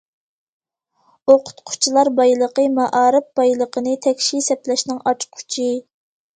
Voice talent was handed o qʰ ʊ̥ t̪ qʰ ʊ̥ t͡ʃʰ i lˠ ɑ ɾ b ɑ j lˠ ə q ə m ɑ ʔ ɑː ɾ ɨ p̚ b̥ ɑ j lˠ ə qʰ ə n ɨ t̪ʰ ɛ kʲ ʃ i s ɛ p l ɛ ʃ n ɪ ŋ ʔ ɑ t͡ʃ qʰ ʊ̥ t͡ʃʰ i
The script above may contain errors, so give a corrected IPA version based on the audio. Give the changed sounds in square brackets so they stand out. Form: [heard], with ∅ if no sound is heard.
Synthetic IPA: o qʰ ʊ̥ t̪ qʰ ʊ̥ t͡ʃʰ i lˠ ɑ ɾ b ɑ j lˠ ə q ə m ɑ ʔ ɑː ɾ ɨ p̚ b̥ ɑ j lˠ ə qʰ ə n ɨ t̪ʰ ɛ kʲ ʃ i s ɛ p l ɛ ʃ n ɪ ŋ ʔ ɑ t͡ʃ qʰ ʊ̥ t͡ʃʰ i